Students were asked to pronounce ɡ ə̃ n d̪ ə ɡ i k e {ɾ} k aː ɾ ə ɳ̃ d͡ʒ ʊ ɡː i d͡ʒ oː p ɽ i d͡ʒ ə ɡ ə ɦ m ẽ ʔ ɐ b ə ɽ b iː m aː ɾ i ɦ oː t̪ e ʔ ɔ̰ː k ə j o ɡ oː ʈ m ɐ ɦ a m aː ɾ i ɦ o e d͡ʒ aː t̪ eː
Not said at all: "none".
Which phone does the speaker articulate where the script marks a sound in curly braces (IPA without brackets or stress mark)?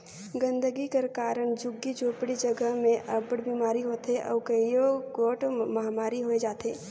ɾ